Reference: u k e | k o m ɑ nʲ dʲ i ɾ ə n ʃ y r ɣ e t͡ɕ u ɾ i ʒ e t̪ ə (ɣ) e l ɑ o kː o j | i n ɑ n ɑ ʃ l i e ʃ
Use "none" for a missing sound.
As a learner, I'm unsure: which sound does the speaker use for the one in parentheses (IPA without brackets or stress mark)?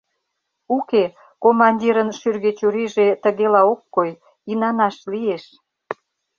ɣ